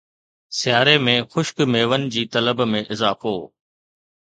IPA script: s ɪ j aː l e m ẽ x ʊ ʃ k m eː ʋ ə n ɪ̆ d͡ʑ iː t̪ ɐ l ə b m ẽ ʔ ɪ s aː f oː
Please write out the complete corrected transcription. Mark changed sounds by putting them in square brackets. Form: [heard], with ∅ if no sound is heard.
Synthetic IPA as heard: s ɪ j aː [ɾ] e m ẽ x ʊ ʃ k m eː ʋ ə n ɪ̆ d͡ʑ iː t̪ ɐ l ə b m ẽ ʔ ɪ [z] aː f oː